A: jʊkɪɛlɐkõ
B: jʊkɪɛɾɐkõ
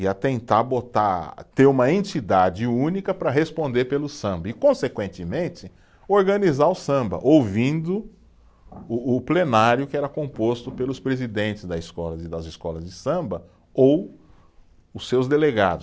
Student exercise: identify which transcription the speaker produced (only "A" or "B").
B